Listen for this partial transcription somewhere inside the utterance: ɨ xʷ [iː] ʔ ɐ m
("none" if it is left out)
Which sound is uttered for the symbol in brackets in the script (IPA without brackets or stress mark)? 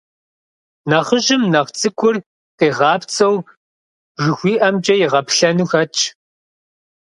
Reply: iː